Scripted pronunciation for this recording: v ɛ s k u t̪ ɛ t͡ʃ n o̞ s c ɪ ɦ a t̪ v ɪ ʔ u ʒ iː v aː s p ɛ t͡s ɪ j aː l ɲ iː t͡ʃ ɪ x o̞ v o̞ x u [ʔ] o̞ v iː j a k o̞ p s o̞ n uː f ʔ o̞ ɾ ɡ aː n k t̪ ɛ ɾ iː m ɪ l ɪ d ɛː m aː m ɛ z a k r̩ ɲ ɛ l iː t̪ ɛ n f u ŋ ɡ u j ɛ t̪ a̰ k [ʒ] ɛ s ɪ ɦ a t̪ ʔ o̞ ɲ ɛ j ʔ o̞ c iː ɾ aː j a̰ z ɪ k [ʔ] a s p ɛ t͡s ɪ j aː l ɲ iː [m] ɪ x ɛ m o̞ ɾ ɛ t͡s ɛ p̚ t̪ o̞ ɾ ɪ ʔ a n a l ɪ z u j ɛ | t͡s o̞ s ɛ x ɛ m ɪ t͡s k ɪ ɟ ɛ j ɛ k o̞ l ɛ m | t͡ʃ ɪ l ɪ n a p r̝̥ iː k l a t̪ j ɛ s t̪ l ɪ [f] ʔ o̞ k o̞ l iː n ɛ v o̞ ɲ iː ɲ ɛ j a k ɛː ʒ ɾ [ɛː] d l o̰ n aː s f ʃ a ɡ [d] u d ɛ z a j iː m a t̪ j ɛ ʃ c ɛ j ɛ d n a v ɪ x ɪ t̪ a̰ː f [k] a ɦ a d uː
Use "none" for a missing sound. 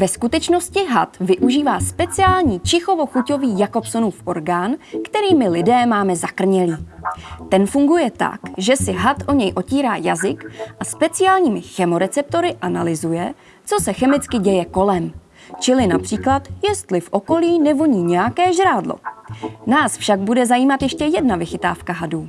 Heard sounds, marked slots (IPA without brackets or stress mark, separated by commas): c, ʒ, ʔ, m, f, aː, b, k